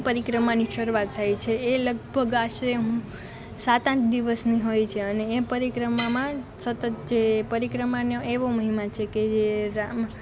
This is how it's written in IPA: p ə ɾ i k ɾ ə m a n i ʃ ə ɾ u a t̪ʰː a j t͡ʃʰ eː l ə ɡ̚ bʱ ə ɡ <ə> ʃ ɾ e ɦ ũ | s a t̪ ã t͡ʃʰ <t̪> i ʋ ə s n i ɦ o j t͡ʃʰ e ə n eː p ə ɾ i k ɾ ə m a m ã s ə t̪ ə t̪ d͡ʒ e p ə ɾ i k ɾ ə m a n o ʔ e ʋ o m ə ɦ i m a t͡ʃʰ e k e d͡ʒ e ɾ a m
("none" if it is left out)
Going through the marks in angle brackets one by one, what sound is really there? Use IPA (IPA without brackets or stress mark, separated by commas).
a, d̪